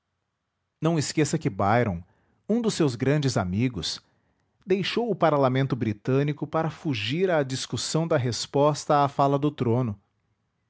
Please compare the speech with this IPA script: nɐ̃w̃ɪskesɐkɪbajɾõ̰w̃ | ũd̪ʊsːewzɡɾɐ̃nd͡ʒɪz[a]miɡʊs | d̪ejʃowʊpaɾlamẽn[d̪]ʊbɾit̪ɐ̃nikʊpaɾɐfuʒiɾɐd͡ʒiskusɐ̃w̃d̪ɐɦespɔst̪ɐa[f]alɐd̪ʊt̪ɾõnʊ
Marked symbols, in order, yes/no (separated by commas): yes, no, yes